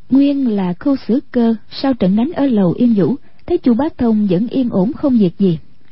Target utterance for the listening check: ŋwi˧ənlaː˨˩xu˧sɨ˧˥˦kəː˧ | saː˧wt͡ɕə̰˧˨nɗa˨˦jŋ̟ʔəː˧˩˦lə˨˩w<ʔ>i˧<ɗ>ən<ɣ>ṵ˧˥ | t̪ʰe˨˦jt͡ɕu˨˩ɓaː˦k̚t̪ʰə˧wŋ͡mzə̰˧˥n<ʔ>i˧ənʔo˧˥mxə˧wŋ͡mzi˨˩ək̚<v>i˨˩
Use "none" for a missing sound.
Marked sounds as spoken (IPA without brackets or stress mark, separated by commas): ʔ, none, z, ʔ, z